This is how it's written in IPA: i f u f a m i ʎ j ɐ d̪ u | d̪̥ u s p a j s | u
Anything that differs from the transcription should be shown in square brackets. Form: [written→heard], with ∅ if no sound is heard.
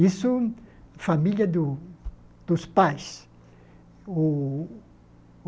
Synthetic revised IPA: i [f→s] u f a m i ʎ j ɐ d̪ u | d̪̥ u s p a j s | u